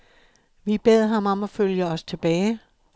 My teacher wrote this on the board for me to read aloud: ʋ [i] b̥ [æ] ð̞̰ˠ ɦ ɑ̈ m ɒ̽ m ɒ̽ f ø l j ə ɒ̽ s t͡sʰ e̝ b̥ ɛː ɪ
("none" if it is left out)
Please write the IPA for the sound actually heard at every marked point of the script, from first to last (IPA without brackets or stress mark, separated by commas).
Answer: i, e